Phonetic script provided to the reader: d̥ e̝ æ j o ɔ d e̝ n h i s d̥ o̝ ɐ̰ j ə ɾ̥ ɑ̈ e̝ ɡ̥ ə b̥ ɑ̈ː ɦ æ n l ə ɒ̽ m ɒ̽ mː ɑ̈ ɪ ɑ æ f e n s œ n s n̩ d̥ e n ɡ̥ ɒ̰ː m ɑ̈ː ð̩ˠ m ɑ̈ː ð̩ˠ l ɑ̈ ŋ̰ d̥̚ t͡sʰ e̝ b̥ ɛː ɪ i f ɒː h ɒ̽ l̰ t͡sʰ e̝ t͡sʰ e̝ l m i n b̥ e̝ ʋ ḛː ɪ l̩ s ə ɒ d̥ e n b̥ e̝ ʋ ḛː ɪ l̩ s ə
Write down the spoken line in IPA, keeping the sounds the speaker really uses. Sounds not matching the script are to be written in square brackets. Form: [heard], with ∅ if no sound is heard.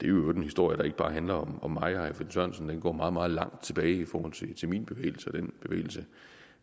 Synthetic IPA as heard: d̥ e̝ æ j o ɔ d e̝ n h i s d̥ o̝ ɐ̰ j ə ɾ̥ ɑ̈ e̝ ɡ̥ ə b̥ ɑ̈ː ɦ æ n l [ɐ] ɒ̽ m ɒ̽ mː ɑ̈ ɪ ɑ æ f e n s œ n s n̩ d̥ e n ɡ̥ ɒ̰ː m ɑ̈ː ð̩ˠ m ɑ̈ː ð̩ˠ l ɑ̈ ŋ̰ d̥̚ t͡sʰ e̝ b̥ ɛː ɪ i f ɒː h ɒ̽ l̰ t͡sʰ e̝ t͡sʰ e̝ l m i n b̥ e̝ ʋ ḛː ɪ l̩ s ə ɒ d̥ e n b̥ e̝ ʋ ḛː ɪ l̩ s ə

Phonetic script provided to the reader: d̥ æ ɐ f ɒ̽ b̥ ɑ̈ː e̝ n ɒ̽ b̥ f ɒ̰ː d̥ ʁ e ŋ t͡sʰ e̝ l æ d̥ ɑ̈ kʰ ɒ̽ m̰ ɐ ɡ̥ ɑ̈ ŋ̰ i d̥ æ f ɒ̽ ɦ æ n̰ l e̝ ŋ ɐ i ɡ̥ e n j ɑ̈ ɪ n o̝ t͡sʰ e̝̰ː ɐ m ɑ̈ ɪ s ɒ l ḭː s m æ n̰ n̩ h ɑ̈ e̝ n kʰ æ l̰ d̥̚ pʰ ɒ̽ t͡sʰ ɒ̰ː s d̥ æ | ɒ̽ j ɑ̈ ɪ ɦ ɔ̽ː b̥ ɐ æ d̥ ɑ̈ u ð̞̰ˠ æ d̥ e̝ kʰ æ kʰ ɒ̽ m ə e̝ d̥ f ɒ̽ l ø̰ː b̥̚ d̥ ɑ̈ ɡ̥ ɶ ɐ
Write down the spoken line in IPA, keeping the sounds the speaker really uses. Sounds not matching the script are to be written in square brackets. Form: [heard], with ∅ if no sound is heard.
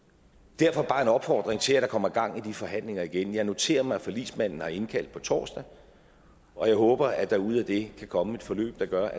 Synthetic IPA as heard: d̥ æ ɐ f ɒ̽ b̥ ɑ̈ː e̝ n ɒ̽ b̥ f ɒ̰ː d̥ ʁ e ŋ t͡sʰ e̝ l æ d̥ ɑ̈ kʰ ɒ̽ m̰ ɐ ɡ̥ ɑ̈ ŋ̰ i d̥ [i] f ɒ̽ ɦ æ n̰ l e̝ ŋ ɐ i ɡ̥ e n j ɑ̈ ɪ n o̝ t͡sʰ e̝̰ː ɐ m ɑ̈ ɪ [f] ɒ l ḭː s m æ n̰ n̩ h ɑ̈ e̝ n kʰ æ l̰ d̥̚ pʰ ɒ̽ t͡sʰ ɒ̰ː s d̥ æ | ɒ̽ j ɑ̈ ɪ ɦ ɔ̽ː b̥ ɐ æ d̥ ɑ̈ u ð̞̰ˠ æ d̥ e̝ kʰ æ kʰ ɒ̽ m ə e̝ d̥ f ɒ̽ l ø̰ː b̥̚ d̥ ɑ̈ ɡ̥ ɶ ɐ

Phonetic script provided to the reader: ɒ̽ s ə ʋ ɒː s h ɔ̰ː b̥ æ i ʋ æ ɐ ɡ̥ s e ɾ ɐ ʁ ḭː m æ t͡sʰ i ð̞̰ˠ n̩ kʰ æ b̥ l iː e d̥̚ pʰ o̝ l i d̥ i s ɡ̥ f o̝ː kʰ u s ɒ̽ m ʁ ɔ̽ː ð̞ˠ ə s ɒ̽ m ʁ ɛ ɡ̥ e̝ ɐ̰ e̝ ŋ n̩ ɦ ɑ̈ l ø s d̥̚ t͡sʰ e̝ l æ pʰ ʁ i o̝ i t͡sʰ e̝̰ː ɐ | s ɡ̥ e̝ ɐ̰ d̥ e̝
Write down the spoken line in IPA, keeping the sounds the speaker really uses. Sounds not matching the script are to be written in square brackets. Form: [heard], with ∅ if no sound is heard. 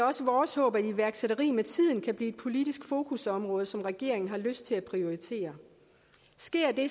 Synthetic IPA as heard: ɒ̽ s ə ʋ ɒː s h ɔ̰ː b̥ æ i ʋ æ ɐ ɡ̥ s e ɾ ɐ ʁ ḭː m [e] t͡sʰ i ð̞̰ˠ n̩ kʰ æ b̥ l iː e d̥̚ pʰ o̝ l i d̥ i s ɡ̥ f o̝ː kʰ u s ɒ̽ m ʁ ɔ̽ː ð̞ˠ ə s ɒ̽ m ʁ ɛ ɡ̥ e̝ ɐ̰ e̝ ŋ n̩ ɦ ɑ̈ l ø s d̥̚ t͡sʰ e̝ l æ pʰ ʁ i o̝ i t͡sʰ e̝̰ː ɐ | s ɡ̥ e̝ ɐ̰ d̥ e̝

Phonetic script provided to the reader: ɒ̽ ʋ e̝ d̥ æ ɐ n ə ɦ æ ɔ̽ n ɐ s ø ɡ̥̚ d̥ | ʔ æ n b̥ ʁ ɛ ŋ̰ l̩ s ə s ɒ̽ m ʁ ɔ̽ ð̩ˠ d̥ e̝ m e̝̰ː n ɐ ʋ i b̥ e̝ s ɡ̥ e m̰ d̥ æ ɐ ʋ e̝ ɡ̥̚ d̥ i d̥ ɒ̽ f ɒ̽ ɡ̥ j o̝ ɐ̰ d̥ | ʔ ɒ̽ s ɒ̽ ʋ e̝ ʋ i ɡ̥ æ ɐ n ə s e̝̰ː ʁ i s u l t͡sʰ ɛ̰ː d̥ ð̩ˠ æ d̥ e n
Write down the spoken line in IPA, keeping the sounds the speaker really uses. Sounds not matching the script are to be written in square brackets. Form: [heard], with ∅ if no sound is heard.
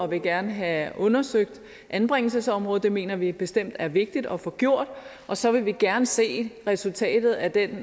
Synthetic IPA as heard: ɒ̽ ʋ e̝ [ɡ̥] æ ɐ n ə ɦ æ ɔ̽ n ɐ s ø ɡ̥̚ d̥ | ʔ æ n b̥ ʁ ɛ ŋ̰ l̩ s ə s ɒ̽ m ʁ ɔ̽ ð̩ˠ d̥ e̝ m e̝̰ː n ɐ ʋ i b̥ e̝ s [d̥] e m̰ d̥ æ ɐ ʋ e̝ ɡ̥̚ d̥ i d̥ ɒ̽ f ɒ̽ ɡ̥ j o̝ ɐ̰ d̥ | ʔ ɒ̽ s ɒ̽ ʋ e̝ ʋ i ɡ̥ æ ɐ n ə s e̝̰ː ʁ [ɛ] s u l t͡sʰ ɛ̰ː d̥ ð̩ˠ æ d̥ e n

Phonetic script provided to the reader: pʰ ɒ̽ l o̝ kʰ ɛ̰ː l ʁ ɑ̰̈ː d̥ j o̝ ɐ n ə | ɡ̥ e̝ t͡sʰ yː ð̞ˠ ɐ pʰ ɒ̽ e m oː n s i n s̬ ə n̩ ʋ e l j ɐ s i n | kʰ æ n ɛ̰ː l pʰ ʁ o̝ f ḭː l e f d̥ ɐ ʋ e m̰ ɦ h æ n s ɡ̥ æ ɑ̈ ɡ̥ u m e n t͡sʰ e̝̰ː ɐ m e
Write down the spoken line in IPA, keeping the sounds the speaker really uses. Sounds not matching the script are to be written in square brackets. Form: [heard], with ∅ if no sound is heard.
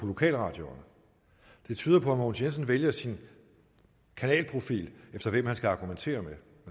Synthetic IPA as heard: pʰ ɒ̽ l o̝ kʰ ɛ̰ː l ʁ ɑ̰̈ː d̥ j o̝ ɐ n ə | [d̥] e̝ t͡sʰ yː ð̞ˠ ɐ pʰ ɒ̽ [æ] m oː n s [e] n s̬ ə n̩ ʋ e l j ɐ s i n | kʰ æ n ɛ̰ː l pʰ ʁ o̝ f ḭː l e f d̥ ɐ ʋ e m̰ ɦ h æ n s ɡ̥ æ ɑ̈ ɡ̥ u m e n t͡sʰ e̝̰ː ɐ m e

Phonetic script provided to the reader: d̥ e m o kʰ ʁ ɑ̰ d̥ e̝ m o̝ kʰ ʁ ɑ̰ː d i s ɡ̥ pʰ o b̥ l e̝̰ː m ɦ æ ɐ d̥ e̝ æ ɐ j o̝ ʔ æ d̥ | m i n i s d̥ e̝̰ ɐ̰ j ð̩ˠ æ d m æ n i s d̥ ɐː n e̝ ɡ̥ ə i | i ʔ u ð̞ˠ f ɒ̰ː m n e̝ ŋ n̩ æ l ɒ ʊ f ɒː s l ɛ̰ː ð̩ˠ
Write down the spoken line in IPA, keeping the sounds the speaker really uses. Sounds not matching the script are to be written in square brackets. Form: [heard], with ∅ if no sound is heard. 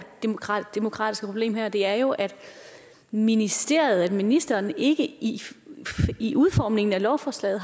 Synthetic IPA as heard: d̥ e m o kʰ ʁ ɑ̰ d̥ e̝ m o̝ kʰ ʁ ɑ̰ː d i s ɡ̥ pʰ o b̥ l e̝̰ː m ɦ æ ɐ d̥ e̝ æ ɐ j o̝ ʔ æ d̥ | m i n i s d̥ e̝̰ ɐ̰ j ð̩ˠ æ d m [i] n i s d̥ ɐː n e̝ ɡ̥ ə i | i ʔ u ð̞ˠ f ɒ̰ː m n e̝ ŋ n̩ æ l ɒ ʊ f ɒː s l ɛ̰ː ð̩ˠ

